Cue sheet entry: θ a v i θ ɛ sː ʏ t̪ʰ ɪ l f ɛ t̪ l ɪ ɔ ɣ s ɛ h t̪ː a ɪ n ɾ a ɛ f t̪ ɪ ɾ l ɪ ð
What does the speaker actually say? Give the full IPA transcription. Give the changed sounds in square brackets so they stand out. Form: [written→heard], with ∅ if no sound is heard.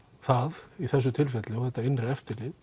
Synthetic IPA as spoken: θ a [v→ð] i θ ɛ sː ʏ t̪ʰ ɪ l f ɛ t̪ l ɪ ɔ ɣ [s→θ] ɛ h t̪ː a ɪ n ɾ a ɛ f t̪ ɪ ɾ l ɪ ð